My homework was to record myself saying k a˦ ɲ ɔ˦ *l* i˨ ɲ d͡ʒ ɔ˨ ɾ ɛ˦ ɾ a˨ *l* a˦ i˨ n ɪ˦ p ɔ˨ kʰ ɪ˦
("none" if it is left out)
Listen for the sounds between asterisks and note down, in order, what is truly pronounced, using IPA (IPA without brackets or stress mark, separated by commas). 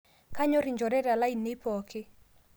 ɾ, l